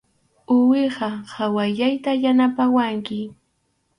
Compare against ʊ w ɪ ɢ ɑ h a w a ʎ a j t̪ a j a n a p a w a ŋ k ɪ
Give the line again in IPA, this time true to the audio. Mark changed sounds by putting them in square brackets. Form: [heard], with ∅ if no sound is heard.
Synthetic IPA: ʊ w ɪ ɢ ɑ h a w a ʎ a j t̪ a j a n a p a w a ŋ k ɪ